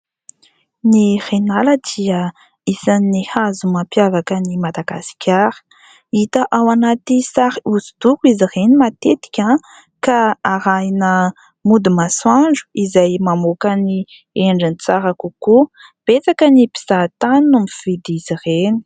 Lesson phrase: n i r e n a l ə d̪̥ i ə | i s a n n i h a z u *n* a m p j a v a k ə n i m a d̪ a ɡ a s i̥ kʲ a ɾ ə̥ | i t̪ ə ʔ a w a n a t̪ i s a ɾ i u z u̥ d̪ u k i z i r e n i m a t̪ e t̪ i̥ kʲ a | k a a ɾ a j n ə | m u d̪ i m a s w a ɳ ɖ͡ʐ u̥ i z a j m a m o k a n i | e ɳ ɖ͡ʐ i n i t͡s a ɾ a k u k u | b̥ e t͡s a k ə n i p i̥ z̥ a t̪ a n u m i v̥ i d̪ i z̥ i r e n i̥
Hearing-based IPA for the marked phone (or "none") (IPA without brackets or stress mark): m